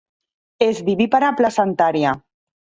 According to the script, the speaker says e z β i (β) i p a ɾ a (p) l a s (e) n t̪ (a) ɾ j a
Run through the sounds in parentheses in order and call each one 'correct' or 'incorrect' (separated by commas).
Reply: correct, correct, incorrect, correct